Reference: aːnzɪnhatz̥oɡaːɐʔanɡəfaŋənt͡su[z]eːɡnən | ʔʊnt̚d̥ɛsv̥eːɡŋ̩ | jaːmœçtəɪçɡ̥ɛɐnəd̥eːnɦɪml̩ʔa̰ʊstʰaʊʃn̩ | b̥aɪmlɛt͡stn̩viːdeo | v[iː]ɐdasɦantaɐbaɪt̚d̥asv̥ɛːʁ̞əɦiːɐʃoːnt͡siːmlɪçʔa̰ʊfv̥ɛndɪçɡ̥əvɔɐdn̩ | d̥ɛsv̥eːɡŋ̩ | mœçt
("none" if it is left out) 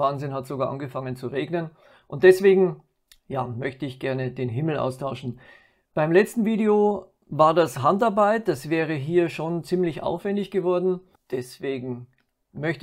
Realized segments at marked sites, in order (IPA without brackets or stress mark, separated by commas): ʁ, aː